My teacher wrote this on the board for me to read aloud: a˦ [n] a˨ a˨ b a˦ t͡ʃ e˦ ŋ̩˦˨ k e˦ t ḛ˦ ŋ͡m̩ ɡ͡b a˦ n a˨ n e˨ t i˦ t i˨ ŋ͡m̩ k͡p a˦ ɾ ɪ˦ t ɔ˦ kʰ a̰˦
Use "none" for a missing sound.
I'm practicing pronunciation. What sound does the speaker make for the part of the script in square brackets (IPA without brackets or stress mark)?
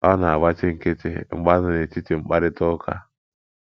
n